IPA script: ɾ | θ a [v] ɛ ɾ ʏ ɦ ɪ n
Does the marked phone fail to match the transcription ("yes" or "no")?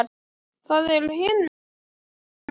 yes